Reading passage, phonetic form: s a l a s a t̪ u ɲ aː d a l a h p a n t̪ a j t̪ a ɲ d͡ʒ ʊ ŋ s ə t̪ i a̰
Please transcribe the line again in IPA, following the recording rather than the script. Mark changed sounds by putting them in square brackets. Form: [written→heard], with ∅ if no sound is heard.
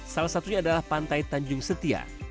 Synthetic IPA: s a l a s a t̪ u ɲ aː d a l a h p a n t̪ a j t̪ a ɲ d͡ʒ ʊ ŋ s ə t̪ i a̰